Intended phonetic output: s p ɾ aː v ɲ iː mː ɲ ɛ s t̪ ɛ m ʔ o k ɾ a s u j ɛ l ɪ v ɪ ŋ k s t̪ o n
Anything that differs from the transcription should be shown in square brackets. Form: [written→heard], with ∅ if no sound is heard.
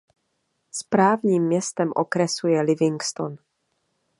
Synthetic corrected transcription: s p ɾ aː v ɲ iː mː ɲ ɛ s t̪ ɛ m ʔ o k ɾ [a→ɛ] s u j ɛ l ɪ v ɪ ŋ k s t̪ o n